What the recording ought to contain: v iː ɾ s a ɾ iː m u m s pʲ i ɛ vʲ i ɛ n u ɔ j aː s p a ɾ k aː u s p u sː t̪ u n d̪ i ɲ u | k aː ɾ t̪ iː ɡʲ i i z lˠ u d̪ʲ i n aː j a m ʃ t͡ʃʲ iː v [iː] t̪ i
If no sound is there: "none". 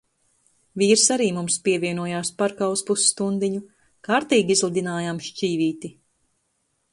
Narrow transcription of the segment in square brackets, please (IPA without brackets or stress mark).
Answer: iː